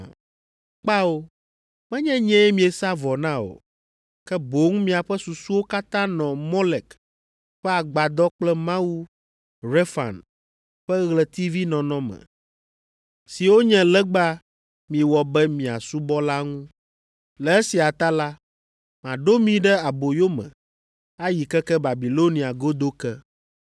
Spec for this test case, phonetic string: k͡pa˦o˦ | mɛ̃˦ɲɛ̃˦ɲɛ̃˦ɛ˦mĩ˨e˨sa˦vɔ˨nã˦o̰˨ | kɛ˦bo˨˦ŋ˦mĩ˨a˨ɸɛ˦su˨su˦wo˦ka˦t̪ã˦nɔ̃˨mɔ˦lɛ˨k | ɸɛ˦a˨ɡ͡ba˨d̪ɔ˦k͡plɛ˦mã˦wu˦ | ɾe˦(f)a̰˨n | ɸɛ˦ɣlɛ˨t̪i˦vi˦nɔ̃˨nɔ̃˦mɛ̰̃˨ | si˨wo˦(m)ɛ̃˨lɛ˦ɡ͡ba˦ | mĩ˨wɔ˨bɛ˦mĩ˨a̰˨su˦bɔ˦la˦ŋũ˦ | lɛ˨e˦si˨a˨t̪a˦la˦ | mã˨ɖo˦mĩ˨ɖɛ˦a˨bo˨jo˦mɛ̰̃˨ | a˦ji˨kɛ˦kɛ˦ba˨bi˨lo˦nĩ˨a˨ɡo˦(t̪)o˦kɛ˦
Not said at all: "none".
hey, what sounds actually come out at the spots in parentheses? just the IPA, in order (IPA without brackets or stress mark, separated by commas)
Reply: f, ɲ, d̪